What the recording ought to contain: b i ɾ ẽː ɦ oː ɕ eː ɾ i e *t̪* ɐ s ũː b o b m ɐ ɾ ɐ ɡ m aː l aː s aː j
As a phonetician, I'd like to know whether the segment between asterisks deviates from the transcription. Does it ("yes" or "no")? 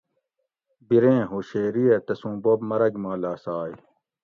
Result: no